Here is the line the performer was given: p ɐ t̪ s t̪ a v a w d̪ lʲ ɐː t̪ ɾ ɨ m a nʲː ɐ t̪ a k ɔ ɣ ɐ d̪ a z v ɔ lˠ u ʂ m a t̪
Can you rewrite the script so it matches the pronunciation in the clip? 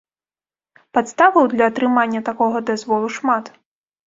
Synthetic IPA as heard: p a t̪ s t̪ a v ɐ w d̪ lʲ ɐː t̪ ɾ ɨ m a nʲː ɐ t̪ a k ɔ ɣ ɐ d̪ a z v ɔ lˠ u ʂ m a t̪